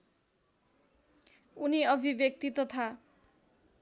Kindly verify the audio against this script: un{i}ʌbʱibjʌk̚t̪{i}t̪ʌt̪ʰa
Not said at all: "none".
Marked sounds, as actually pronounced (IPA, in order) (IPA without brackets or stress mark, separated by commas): i, i